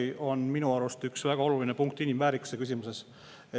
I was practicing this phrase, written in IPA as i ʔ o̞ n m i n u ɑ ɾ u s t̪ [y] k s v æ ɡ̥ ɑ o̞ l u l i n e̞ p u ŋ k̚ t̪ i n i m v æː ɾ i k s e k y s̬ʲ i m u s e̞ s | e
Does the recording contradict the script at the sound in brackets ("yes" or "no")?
no